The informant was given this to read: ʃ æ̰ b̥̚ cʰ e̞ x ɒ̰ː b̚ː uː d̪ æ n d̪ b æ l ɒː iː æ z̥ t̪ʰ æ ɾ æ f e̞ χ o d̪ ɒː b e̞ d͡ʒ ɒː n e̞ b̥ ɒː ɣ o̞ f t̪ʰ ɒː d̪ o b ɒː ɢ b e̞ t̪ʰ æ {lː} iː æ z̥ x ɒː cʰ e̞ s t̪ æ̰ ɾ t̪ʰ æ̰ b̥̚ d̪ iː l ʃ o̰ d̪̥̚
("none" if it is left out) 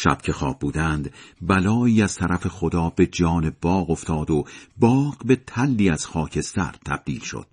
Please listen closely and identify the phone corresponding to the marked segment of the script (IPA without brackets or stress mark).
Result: lː